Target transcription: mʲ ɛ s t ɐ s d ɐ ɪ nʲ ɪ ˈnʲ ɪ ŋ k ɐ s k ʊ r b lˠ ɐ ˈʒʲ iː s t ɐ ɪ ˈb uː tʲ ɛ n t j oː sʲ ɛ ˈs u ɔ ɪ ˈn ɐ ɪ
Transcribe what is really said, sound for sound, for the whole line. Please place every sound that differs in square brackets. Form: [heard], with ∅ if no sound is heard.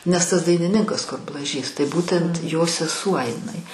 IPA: [nʲ] ɛ s t ɐ s d ɐ ɪ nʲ ɪ ˈnʲ ɪ ŋ k ɐ s k ʊ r b lˠ ɐ ˈʒʲ iː s t ɐ ɪ ˈb uː tʲ ɛ n t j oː sʲ ɛ ˈs u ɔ ɪ ˈn ɐ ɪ